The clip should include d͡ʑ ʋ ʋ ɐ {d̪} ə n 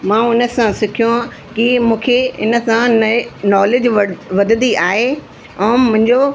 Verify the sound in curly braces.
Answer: correct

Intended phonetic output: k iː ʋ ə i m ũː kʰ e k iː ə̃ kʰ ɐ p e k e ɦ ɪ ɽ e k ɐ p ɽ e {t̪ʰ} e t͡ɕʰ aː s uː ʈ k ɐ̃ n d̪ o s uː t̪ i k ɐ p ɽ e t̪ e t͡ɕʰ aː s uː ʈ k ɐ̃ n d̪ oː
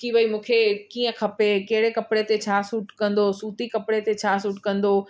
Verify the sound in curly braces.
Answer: incorrect: t̪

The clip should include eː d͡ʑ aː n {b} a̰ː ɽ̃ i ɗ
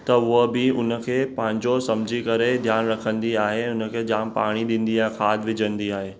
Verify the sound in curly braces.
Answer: incorrect: p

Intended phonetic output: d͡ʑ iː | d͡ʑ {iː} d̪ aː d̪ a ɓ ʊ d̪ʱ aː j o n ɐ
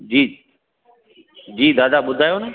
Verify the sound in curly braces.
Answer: correct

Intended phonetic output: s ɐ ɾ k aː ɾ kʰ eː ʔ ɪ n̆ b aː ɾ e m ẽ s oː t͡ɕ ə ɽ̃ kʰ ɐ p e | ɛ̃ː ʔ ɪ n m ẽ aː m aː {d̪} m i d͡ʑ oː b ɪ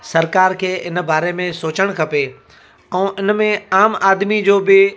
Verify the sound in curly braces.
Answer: correct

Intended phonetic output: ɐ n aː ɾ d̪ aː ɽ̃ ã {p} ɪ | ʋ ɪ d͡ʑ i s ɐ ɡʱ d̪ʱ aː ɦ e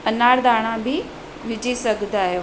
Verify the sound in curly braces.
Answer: incorrect: b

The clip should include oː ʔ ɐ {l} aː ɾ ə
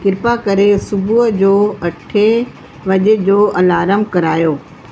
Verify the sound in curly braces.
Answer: correct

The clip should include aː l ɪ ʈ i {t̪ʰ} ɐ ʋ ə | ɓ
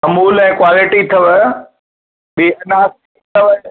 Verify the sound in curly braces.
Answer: correct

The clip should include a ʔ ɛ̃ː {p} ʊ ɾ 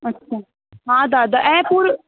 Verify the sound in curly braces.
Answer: correct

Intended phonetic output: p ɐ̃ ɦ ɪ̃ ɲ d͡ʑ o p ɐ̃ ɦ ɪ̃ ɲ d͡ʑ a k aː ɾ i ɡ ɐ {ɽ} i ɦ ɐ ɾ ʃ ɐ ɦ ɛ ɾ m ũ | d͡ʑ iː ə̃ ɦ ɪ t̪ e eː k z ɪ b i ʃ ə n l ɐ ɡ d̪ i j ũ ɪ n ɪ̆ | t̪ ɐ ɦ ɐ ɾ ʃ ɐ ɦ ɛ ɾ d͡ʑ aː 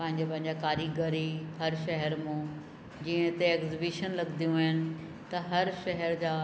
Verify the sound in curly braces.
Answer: incorrect: ɾ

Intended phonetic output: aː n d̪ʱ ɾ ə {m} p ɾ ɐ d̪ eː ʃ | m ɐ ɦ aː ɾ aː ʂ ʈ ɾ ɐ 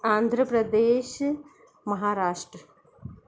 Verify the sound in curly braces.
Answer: incorrect: none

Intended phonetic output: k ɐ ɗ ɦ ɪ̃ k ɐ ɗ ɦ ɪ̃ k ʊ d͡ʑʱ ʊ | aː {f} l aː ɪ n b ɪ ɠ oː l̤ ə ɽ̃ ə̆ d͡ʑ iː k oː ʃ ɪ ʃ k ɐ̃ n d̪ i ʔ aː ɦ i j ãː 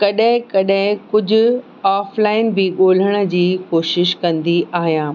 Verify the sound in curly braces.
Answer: correct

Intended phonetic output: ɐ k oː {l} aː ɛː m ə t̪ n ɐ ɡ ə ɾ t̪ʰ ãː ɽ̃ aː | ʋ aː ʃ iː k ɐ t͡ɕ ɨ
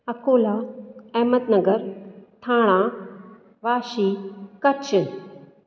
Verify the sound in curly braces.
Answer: correct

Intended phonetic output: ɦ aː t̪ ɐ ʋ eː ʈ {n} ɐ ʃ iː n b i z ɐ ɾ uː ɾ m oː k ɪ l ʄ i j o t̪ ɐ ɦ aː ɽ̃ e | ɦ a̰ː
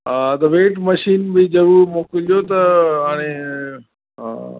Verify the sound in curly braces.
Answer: incorrect: m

